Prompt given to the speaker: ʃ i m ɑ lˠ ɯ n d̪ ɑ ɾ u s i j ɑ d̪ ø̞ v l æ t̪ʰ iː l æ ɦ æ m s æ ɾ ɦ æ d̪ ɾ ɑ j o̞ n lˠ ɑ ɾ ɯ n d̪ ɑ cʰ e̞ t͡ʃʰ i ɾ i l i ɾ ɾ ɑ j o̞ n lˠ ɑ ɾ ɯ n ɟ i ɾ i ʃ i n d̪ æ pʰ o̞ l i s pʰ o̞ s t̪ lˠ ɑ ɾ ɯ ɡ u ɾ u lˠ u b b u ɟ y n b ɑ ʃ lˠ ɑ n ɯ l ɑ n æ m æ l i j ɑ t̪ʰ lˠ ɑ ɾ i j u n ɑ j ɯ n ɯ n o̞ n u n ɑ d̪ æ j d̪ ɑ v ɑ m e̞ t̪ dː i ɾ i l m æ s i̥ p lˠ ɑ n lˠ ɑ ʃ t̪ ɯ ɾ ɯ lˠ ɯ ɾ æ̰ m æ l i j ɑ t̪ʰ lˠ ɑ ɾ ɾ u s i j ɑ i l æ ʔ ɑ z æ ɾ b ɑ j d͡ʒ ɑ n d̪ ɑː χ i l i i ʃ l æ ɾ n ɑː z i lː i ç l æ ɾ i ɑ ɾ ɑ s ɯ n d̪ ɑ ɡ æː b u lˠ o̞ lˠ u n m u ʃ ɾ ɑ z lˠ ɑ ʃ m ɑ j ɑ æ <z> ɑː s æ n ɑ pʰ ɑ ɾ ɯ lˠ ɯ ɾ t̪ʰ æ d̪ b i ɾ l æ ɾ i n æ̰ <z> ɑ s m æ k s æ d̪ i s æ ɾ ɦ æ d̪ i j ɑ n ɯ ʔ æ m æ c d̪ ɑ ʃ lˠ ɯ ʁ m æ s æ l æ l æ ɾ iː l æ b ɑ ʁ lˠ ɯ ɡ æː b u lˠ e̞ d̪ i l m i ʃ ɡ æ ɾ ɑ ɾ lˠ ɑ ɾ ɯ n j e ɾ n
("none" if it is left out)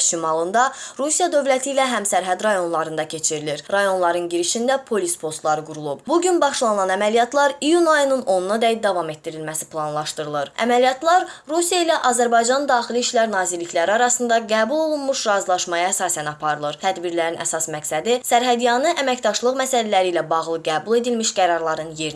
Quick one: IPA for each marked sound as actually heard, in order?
s, s

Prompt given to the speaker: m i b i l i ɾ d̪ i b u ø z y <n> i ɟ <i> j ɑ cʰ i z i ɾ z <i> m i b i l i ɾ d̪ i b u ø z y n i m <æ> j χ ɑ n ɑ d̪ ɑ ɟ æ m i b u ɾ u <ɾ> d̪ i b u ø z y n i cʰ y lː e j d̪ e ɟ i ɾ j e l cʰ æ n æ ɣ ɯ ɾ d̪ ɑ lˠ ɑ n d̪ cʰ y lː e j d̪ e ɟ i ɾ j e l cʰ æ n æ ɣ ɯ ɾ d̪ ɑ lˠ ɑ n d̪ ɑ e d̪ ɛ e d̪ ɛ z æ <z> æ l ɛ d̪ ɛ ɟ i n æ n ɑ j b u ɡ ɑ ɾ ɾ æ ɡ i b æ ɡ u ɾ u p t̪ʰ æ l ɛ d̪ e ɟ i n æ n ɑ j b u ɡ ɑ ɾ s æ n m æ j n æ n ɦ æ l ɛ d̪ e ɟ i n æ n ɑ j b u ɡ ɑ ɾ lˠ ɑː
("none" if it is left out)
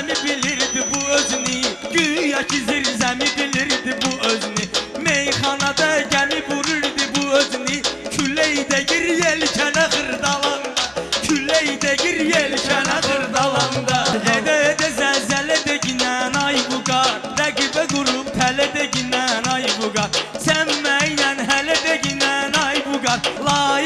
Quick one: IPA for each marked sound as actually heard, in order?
n, y, æ, e, ɾ, z

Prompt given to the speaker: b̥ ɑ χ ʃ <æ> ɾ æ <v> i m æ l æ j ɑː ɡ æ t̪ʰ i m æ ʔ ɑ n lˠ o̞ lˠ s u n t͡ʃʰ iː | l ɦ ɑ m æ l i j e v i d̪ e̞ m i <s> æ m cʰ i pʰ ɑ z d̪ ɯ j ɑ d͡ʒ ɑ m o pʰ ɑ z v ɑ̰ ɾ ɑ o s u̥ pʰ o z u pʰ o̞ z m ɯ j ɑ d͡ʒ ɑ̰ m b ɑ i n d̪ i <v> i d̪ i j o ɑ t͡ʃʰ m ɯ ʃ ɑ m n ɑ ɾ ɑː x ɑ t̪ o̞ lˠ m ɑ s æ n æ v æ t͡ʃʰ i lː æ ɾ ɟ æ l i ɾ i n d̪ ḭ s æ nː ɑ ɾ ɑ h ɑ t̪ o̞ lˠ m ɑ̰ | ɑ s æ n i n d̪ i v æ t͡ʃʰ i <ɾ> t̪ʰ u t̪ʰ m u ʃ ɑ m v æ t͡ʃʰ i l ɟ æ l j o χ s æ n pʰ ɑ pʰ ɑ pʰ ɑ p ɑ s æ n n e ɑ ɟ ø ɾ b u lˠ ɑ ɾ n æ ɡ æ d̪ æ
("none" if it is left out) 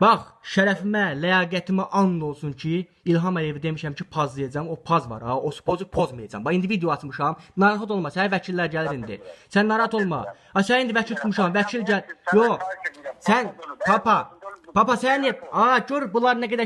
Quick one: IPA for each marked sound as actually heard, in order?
æ, f, ʃ, v, l

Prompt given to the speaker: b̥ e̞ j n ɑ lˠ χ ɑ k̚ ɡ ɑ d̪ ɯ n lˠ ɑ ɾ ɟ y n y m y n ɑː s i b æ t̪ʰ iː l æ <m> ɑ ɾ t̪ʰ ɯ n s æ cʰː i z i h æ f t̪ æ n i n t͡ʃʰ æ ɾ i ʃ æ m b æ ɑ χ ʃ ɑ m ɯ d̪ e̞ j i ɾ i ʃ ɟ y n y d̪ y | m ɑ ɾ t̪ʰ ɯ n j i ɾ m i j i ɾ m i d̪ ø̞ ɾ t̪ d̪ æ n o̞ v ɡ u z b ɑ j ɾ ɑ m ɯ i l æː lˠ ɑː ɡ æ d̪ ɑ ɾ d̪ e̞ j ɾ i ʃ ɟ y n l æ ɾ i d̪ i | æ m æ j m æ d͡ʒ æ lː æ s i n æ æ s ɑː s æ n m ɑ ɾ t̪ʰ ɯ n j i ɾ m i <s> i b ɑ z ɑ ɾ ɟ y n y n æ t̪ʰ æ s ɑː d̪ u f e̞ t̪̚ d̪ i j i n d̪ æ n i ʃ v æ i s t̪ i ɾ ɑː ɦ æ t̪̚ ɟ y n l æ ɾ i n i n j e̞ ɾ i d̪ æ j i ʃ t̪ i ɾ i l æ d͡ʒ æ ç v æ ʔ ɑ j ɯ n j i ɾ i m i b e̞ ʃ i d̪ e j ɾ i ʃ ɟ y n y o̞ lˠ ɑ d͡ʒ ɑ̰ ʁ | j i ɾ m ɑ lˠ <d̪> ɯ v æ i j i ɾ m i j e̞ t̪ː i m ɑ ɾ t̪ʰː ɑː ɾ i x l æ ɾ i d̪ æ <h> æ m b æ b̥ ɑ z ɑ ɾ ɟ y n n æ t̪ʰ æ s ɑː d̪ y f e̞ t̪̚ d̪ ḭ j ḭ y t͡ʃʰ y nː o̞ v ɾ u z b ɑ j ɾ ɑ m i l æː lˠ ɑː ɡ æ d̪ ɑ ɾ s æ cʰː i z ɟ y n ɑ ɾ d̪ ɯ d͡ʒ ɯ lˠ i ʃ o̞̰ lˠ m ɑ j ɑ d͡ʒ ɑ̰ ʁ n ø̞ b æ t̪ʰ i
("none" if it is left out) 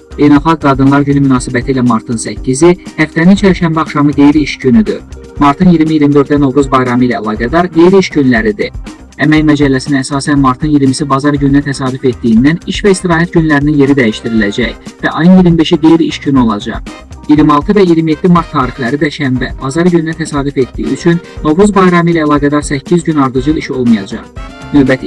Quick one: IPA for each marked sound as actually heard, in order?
m, s, t̪, ʃ

